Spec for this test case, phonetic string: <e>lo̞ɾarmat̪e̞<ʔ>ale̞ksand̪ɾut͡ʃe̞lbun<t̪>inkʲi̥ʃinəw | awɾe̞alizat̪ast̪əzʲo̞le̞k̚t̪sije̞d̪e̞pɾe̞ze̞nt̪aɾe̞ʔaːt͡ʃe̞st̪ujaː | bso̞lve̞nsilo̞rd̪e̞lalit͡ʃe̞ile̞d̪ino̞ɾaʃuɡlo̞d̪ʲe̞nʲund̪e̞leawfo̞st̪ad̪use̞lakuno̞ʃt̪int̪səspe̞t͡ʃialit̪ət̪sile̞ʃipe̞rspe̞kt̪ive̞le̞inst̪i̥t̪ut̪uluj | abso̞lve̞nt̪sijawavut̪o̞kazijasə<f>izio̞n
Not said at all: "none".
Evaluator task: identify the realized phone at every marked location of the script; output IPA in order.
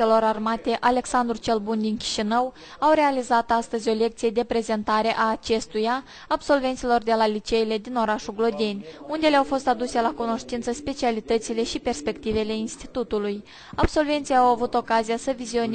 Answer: e, ʔ, d̪, v

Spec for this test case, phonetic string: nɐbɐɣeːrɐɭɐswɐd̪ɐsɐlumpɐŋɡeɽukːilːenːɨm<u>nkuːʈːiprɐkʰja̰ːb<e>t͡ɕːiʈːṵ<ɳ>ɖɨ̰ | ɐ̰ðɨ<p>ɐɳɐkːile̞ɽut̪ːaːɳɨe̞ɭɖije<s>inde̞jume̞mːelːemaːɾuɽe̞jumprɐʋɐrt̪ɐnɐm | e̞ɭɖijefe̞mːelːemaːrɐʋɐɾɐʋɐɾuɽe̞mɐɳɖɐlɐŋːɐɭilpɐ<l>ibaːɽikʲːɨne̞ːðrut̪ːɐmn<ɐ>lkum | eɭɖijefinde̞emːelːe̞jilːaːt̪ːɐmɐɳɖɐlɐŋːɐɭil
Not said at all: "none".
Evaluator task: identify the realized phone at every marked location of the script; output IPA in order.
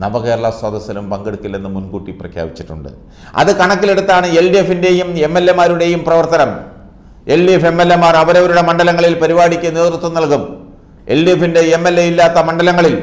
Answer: u, i, ɳ, k, f, ɾ, ɐ

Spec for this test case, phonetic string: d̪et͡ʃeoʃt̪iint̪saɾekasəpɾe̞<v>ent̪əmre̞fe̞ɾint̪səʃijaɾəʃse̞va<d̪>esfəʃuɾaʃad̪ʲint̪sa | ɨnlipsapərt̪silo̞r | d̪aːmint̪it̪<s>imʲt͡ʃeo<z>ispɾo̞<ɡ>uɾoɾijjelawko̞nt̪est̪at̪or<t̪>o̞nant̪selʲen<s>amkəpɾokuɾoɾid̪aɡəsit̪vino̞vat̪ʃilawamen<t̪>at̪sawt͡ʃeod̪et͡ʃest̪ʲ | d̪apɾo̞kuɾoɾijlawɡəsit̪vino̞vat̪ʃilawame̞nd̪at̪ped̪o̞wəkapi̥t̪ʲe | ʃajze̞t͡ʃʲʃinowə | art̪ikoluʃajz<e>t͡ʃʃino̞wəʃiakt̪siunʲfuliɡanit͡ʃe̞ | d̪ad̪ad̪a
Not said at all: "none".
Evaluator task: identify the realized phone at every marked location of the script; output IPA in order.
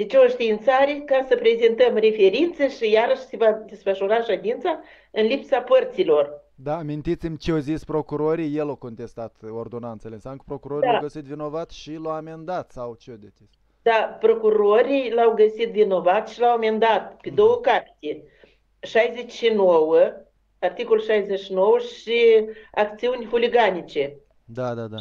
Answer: z, d̪, s, z, k, d̪, s, d̪, e

